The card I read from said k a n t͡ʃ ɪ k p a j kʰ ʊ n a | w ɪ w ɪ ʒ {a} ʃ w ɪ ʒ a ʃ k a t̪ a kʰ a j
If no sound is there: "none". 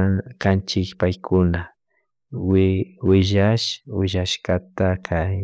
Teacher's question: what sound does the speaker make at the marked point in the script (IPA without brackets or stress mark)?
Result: a